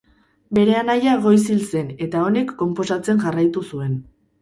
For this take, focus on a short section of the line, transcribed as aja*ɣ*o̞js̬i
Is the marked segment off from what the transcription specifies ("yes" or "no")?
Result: no